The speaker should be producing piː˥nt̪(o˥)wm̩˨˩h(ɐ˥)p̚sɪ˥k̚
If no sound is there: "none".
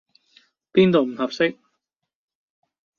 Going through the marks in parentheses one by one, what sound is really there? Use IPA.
o˨, ɐ˨

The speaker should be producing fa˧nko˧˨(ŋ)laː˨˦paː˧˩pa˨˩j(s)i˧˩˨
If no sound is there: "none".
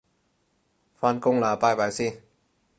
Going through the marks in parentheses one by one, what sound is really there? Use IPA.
ŋ, s

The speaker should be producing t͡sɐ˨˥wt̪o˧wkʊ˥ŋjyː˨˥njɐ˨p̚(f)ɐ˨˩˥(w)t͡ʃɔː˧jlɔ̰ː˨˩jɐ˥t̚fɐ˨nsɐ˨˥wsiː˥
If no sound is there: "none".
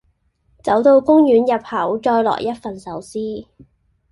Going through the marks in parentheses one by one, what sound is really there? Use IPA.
h, w

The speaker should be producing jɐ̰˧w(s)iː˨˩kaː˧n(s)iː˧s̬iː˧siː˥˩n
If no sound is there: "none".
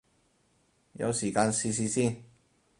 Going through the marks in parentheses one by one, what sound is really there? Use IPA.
s, s

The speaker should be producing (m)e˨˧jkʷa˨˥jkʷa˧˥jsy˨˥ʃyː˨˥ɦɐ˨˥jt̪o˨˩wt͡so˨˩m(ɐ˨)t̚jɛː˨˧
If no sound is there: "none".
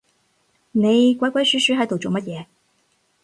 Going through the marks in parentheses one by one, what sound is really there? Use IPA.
n, ɐ˥

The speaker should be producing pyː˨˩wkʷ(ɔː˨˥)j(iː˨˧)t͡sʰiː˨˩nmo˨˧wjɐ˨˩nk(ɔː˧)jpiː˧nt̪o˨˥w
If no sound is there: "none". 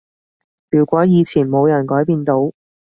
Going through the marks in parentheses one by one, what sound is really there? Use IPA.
ɔː˨˥, iː˨˧, ɔː˨˥

